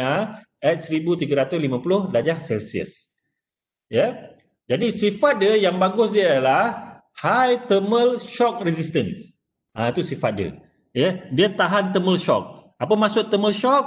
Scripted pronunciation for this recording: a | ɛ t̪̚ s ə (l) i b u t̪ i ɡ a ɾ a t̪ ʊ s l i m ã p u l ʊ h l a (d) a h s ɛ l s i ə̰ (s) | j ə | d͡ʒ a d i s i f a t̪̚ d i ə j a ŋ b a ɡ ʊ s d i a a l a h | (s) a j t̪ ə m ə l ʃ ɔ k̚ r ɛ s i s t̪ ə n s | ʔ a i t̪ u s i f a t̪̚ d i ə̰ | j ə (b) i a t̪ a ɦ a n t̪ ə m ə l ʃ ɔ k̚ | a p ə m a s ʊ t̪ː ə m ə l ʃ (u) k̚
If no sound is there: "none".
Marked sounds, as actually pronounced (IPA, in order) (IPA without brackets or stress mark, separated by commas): ɾ, d͡ʒ, s, h, d, ɔ